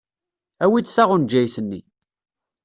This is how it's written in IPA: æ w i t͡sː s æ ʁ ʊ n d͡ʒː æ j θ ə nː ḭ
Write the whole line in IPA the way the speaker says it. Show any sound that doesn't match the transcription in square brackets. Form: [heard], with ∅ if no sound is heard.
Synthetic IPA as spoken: æ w i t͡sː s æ ʁ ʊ n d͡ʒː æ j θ ə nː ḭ

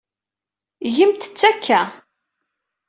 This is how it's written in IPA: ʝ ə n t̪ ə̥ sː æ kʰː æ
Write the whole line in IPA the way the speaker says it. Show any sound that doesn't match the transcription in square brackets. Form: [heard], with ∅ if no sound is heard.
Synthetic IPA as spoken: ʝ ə [m] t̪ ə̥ [t͡sː] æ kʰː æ

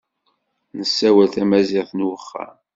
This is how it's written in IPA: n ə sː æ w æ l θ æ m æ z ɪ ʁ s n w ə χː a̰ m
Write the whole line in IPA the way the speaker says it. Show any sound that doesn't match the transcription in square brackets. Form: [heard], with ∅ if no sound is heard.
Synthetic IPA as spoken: n ə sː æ w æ l θ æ m æ z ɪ ʁ [θ] n w ə χː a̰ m

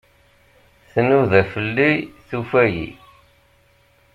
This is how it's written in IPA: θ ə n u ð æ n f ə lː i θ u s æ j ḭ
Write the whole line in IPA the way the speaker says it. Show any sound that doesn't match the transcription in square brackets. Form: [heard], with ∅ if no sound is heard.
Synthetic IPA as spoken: θ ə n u ð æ [∅] f ə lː i θ u [f] æ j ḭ

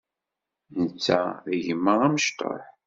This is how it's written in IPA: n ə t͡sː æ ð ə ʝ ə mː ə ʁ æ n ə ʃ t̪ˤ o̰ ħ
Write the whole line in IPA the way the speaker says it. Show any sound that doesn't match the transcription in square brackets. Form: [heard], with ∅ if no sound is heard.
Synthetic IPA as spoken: n ə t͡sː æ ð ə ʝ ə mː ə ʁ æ [m] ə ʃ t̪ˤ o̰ ħ

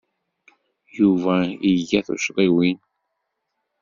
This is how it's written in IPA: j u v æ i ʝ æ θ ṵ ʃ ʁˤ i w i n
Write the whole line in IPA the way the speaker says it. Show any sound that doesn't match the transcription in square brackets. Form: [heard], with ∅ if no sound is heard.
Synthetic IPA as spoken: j u v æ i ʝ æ θ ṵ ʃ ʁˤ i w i n

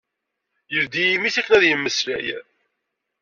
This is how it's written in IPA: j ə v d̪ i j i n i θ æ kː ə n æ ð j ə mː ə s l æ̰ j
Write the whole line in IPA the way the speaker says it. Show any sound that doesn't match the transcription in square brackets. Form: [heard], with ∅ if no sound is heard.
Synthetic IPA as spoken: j ə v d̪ i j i [m] i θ æ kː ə n æ ð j ə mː ə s l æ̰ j

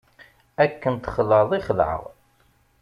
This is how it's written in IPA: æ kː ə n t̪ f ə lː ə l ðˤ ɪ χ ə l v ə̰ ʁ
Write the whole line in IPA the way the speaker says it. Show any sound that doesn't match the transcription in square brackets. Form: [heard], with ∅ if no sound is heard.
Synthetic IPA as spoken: æ kː ə n t̪ [χ] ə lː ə [∅] ðˤ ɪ χ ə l [ʕ] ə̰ ʁ

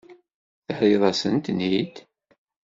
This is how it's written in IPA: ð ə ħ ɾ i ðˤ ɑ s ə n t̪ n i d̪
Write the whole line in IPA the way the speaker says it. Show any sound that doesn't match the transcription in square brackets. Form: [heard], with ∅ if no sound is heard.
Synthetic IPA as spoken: [θ] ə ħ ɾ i ðˤ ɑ s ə n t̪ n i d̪

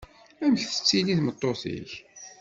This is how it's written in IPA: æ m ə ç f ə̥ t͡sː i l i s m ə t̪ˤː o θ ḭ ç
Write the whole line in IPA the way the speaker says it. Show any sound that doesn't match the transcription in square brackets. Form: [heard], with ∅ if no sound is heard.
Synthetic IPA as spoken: æ m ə ç [θ] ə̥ t͡sː i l i [θ] m ə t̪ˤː o θ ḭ ç

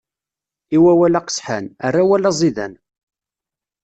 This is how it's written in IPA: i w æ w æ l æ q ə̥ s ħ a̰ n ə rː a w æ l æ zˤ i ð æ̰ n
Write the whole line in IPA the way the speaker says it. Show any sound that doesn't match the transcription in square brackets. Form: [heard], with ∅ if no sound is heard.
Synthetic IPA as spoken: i w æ w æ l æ q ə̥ s ħ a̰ n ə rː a w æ l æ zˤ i ð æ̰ n

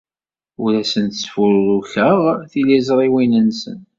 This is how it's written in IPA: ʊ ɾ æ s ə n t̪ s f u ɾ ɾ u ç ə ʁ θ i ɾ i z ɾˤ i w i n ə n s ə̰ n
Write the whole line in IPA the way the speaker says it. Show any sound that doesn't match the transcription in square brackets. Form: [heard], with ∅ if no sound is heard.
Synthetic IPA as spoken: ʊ ɾ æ s ə n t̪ s f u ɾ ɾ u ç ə ʁ θ i [l] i z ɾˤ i w i n ə n s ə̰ n

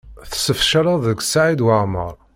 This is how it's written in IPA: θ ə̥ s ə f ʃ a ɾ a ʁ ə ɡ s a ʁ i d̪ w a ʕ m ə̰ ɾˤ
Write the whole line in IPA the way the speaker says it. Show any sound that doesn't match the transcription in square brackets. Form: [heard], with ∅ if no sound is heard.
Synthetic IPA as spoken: θ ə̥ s ə f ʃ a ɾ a [ð] ə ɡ s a [ʕ] i d̪ w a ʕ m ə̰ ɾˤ

